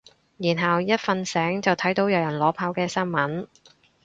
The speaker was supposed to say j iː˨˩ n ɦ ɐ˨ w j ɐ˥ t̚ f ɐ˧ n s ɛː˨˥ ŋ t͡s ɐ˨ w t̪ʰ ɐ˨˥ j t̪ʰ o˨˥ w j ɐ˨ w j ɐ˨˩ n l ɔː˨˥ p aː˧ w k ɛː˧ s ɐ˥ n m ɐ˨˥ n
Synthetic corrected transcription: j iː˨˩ n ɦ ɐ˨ w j ɐ˥ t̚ f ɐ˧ n s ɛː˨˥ ŋ t͡s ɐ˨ w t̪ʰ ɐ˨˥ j t̪ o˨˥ w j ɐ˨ w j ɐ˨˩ n l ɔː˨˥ pʰ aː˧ w k ɛː˧ s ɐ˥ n m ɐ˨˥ n